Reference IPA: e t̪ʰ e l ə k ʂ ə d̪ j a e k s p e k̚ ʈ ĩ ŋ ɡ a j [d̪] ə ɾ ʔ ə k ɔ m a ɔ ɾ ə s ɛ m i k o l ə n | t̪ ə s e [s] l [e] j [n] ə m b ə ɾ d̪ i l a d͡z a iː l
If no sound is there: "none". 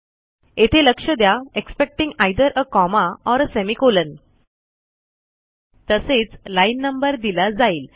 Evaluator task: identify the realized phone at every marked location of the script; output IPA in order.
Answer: d̪, t͡s, a, nː

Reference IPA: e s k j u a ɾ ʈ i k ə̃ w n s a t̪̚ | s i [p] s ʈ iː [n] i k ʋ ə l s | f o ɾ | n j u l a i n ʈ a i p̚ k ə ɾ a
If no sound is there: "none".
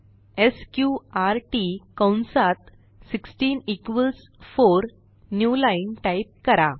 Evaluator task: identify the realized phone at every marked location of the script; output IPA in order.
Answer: k, n

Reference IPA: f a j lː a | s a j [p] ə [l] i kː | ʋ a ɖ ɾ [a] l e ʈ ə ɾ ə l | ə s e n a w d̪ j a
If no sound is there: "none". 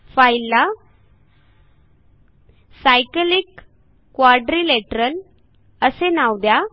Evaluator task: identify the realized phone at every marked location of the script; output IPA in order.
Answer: k, l, i

